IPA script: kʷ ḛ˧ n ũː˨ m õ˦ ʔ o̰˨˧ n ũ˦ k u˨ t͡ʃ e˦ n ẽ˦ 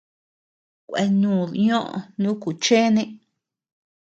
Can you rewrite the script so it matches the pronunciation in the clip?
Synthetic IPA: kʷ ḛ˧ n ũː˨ ɲ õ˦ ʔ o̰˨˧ n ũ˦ k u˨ t͡ʃ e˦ n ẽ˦